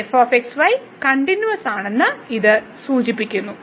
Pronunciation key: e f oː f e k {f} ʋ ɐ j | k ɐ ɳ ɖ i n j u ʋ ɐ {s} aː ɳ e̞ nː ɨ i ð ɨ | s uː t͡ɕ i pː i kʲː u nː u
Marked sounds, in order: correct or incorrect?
incorrect: s, correct

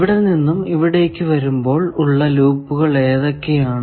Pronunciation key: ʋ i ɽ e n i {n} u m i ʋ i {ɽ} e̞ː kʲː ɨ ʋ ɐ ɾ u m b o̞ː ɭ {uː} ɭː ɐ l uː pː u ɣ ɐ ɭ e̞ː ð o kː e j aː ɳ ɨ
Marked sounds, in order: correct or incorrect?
incorrect: nː, correct, incorrect: u

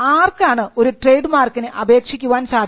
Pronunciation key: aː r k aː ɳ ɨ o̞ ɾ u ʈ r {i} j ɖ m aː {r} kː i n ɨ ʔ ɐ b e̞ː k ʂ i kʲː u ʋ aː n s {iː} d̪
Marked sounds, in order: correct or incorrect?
incorrect: e, correct, incorrect: aː

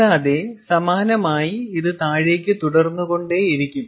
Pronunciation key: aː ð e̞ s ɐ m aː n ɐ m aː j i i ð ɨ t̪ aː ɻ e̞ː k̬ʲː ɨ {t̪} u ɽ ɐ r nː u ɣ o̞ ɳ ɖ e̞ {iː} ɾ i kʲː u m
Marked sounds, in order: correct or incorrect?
correct, incorrect: i

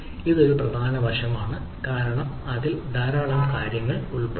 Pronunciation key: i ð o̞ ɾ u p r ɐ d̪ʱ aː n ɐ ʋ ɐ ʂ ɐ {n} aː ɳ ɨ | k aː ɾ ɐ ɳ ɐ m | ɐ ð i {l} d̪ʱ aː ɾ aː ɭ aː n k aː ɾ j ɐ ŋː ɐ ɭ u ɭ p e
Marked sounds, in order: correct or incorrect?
incorrect: m, correct

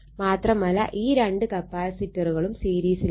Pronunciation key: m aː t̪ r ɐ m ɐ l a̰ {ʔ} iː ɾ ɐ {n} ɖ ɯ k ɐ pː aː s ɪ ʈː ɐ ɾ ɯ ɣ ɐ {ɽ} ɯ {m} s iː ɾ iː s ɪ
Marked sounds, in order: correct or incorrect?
correct, incorrect: ɳ, incorrect: ɭ, correct

